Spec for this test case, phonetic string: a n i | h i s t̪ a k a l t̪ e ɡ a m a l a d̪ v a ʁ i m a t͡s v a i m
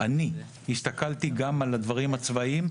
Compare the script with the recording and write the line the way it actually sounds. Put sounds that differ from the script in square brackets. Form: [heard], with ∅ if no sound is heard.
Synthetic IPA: a n i | h i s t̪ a k a l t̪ [i] ɡ a m a l a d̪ v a ʁ i m a t͡s v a i m